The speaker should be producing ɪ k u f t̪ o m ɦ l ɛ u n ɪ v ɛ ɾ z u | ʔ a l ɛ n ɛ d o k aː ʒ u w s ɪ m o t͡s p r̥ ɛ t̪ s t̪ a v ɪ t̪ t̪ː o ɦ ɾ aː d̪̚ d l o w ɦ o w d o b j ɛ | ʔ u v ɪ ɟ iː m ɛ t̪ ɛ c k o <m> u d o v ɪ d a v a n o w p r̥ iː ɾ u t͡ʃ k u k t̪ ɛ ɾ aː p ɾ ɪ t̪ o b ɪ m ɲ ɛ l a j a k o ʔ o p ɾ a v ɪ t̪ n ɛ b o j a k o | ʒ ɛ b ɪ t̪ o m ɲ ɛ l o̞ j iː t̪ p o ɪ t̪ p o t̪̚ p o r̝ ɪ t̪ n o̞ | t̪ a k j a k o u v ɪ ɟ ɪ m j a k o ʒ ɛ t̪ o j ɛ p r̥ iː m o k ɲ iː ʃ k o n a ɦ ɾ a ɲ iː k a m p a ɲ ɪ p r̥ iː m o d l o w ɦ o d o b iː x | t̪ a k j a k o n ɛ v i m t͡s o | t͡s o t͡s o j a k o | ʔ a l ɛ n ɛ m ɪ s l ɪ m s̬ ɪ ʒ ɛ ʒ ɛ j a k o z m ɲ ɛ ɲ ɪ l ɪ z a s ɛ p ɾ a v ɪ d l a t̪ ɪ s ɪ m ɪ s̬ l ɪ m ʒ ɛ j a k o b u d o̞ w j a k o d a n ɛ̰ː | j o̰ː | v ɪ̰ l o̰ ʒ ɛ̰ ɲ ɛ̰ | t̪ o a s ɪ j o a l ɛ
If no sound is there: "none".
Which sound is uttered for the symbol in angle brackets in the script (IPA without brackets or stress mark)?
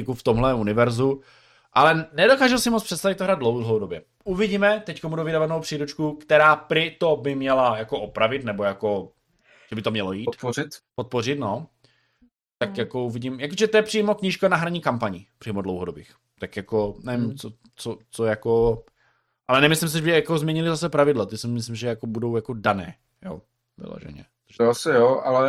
m